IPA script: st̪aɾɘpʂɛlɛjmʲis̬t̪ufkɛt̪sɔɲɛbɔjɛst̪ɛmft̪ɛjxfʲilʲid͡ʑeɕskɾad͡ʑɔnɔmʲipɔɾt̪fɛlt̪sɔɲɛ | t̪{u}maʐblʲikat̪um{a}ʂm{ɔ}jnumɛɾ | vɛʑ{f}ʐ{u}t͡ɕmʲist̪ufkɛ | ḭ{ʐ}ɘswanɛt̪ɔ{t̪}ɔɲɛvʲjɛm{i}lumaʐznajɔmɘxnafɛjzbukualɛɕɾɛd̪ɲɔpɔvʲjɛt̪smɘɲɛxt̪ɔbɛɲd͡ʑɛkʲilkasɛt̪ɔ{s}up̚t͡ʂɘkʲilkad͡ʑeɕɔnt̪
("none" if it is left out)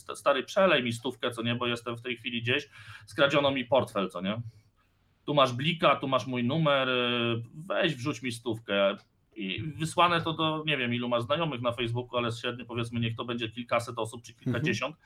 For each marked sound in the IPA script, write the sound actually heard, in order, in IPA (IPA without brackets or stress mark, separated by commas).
u, a, u, v, u, v, d̪, i, s